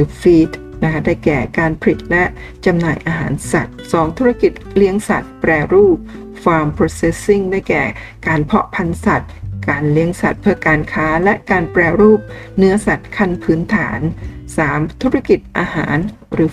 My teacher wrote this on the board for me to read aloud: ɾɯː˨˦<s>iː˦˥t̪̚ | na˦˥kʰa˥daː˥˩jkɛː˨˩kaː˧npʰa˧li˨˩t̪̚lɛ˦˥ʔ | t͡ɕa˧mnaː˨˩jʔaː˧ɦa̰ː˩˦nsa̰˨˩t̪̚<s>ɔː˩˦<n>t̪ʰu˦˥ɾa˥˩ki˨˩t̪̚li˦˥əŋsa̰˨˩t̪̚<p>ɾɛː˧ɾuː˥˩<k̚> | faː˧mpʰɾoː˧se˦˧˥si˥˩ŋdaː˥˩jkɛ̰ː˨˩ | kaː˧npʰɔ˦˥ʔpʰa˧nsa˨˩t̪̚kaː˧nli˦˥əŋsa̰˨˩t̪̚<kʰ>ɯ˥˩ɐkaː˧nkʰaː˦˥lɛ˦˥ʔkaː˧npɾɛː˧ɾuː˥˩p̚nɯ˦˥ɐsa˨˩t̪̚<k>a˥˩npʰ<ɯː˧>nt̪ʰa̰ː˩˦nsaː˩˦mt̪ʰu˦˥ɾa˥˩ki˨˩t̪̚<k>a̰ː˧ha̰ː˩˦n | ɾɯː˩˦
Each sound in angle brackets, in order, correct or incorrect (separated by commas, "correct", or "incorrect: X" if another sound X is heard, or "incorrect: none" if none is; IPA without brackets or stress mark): incorrect: f, correct, incorrect: ŋ, correct, incorrect: p̚, incorrect: pʰ, incorrect: kʰ, incorrect: ɯː˦˥, incorrect: ʔ